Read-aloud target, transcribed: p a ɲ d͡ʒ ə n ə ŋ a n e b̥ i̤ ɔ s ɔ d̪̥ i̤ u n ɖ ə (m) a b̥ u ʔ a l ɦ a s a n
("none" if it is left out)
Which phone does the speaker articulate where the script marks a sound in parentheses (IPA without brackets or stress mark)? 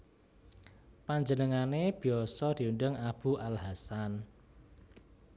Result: ŋ